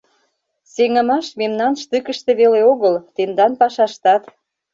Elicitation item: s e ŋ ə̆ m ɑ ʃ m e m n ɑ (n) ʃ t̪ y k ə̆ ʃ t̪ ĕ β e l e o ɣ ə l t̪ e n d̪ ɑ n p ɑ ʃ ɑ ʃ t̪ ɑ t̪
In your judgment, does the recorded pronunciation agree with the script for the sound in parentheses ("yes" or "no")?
yes